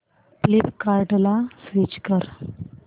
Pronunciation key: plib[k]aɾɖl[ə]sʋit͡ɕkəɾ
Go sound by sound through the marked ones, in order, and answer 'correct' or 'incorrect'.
correct, incorrect

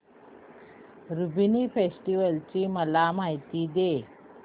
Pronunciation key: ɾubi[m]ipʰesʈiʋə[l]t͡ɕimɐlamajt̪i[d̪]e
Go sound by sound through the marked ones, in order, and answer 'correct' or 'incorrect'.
incorrect, correct, correct

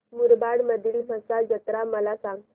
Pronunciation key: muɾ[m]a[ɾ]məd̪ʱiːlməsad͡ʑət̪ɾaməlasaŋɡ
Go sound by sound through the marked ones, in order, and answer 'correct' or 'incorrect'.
incorrect, incorrect

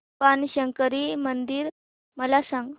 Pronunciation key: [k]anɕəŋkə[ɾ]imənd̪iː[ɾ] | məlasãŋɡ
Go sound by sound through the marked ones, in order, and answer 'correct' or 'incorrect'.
incorrect, correct, correct

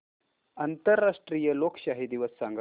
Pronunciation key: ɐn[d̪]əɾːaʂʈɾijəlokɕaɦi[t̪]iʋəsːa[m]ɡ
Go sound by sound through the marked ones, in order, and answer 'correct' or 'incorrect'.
incorrect, incorrect, incorrect

